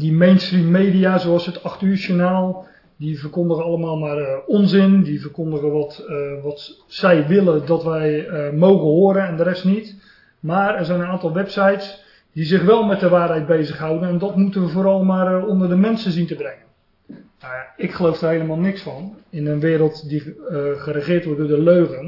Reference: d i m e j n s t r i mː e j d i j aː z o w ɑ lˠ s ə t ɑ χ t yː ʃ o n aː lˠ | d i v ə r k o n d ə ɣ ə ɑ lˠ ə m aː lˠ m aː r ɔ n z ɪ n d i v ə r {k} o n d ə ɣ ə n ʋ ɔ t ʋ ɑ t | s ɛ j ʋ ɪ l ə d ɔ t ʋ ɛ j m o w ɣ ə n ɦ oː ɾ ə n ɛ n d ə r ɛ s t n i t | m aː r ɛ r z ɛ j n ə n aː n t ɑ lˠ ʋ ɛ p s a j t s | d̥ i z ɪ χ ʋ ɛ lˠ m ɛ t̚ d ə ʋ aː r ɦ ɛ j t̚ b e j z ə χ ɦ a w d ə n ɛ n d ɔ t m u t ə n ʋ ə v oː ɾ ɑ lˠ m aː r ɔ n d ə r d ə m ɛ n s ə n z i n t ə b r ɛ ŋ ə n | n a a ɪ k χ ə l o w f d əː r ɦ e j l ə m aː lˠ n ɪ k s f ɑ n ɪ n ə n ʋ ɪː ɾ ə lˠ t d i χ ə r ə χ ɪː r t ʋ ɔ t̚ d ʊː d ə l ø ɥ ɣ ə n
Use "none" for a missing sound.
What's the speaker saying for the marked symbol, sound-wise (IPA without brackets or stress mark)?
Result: k